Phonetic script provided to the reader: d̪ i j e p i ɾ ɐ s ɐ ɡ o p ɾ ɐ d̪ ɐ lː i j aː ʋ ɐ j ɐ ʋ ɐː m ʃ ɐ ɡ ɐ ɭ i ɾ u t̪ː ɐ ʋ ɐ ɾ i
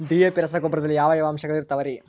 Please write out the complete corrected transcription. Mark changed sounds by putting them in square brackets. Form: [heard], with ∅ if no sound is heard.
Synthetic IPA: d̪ i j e p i ɾ ɐ s ɐ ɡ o [b] ɾ ɐ d̪ ɐ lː i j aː ʋ ɐ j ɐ ʋ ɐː m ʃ ɐ ɡ ɐ ɭ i ɾ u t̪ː ɐ ʋ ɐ ɾ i

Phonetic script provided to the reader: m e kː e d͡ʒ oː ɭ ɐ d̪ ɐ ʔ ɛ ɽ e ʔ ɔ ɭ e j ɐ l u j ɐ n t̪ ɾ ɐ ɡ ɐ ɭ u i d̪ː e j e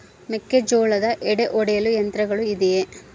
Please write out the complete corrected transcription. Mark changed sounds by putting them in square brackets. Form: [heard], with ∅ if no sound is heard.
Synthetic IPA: m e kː e d͡ʒ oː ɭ ɐ d̪ ɐ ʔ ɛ ɽ e ʔ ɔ [ɽ] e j ɐ l u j ɐ n t̪ ɾ ɐ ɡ ɐ ɭ u i [d̪] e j e

